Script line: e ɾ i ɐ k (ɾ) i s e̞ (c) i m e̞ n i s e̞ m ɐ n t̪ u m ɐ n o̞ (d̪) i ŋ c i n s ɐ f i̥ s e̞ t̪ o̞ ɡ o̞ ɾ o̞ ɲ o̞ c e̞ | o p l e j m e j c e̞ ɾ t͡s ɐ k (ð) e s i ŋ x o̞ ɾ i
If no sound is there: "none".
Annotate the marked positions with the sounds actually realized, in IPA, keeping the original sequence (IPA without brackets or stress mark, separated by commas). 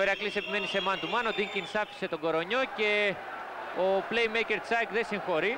l, p, d̪, ð